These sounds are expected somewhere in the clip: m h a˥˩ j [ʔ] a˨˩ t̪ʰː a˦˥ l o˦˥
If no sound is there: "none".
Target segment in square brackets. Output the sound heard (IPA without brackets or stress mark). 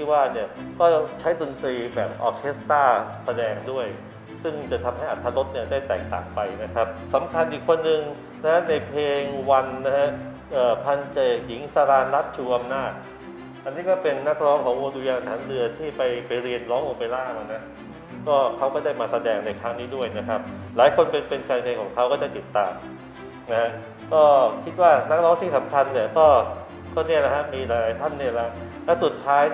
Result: ʔ